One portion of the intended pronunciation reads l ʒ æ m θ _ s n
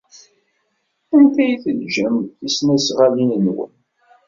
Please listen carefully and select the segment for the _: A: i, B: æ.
A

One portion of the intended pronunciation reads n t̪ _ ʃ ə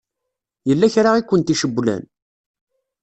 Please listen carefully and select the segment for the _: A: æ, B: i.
B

